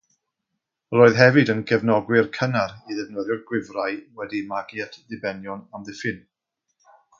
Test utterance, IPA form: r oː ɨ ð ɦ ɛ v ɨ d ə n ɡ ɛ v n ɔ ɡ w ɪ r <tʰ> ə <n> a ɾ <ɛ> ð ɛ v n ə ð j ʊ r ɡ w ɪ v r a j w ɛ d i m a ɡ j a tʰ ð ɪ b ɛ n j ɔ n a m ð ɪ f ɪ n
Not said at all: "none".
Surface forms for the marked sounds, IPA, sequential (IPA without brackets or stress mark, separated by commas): kʰ, n, i